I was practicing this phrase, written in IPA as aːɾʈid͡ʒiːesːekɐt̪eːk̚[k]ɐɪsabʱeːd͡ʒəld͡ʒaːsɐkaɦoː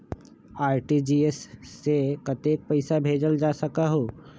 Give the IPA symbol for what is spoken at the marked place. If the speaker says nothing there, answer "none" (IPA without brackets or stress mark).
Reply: p